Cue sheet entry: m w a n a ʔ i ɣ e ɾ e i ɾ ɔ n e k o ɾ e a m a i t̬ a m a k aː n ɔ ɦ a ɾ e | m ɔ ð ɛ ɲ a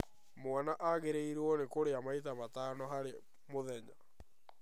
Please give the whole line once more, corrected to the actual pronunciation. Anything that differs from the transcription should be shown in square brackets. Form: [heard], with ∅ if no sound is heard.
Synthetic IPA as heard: m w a n a ʔ [a] ɣ e ɾ e i ɾ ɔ n e k o ɾ e a m a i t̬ a m a [t] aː n ɔ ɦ a ɾ e | m [o] ð ɛ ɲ a